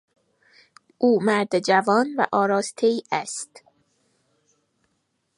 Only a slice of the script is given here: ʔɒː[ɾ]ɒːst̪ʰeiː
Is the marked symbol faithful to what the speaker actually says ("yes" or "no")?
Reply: yes